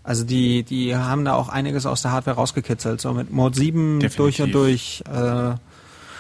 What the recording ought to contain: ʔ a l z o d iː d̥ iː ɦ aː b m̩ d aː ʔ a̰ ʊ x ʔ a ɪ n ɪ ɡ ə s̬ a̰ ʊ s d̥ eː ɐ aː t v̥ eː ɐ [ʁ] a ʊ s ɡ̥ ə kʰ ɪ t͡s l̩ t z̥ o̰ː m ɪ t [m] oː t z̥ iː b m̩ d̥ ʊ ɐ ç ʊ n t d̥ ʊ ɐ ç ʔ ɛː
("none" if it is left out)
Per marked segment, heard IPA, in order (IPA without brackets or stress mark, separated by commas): ʁ, m